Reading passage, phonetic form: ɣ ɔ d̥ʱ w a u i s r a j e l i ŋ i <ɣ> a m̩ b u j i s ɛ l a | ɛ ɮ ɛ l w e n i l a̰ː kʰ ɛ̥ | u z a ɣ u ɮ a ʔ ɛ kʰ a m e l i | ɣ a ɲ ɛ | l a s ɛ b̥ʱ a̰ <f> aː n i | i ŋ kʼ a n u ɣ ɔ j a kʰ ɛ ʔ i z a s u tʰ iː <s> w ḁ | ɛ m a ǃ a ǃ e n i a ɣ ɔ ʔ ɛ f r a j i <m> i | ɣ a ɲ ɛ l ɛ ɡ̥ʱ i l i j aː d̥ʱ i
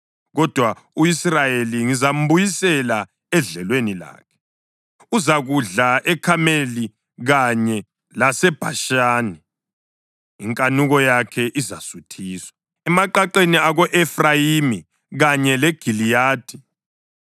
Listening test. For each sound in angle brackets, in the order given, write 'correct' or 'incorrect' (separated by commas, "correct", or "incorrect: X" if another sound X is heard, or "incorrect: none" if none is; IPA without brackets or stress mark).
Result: incorrect: z, incorrect: ʃ, correct, correct